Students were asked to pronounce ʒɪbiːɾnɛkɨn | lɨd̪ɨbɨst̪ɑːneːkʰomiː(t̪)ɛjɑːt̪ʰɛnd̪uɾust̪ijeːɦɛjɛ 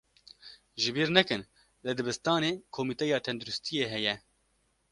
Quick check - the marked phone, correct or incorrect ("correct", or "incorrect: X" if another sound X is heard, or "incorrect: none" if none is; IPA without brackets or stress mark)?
correct